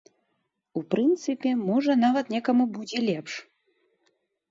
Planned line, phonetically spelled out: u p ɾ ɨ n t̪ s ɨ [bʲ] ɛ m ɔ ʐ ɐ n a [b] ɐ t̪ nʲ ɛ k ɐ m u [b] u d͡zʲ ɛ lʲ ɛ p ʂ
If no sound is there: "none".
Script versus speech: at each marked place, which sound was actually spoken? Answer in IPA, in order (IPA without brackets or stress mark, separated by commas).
pʲ, v, b